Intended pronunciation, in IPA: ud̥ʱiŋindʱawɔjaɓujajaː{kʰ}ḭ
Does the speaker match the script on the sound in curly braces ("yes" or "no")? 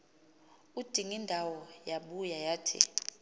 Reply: no